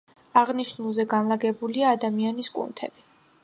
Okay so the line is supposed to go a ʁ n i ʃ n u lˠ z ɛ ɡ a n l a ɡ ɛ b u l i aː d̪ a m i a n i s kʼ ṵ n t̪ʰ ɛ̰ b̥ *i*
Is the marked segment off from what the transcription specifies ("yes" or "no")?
no